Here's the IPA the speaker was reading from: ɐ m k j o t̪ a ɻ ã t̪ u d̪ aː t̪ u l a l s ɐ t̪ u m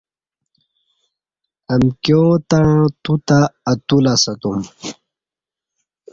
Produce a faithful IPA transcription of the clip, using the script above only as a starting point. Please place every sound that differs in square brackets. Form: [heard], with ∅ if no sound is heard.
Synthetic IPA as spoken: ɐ m k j o t̪ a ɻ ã t̪ u [t̪] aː t̪ u l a [∅] s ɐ t̪ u m